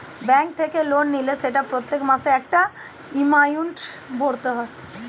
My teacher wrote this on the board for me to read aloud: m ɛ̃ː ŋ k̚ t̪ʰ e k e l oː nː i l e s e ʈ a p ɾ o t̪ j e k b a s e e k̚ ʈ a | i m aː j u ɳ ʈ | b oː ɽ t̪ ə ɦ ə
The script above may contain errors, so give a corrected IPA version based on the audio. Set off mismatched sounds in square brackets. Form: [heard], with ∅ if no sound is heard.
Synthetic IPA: [b] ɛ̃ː ŋ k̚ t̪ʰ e k e l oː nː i l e s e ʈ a p ɾ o t̪ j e k [m] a s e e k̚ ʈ a | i m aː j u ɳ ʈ | b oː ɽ t̪ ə ɦ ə